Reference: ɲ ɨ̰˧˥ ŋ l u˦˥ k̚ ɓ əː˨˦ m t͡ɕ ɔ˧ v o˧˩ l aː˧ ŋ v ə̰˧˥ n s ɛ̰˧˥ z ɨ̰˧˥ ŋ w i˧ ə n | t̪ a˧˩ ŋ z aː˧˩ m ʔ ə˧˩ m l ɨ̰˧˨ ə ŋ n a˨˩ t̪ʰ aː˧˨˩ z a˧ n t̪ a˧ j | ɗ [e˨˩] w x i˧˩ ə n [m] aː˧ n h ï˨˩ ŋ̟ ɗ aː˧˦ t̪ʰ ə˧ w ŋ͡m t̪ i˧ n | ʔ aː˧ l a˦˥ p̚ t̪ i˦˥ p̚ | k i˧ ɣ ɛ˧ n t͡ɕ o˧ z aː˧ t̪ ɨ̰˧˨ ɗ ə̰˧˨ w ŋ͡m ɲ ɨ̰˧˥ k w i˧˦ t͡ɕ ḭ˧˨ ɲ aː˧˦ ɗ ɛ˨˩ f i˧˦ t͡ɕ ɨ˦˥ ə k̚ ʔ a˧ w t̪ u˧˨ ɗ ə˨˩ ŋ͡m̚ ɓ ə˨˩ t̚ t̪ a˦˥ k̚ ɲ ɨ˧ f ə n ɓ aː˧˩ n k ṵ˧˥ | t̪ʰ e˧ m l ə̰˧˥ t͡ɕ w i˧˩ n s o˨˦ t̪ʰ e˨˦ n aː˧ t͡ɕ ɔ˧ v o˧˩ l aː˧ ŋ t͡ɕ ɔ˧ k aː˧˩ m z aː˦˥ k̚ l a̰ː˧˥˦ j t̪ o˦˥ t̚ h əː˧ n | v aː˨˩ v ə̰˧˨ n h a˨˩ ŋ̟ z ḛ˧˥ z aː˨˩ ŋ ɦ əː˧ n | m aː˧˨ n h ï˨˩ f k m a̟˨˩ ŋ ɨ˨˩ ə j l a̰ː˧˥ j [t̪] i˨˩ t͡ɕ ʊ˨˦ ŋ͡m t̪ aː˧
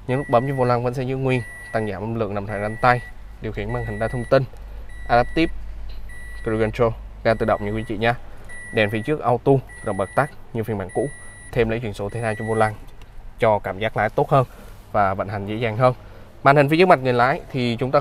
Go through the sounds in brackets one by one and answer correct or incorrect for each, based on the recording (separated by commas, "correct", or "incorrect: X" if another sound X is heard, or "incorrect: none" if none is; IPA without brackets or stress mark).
incorrect: i˨˩, correct, incorrect: t̪ʰ